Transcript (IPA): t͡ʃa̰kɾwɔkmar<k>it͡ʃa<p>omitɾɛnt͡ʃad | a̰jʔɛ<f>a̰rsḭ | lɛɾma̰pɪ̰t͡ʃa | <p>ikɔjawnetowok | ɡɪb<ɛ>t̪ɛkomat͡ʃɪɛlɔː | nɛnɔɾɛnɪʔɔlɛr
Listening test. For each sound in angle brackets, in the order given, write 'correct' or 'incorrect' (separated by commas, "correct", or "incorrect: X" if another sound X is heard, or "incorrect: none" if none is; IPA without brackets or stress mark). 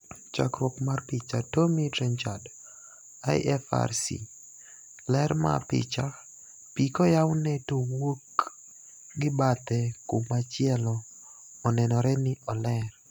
incorrect: p, incorrect: t, correct, correct, incorrect: a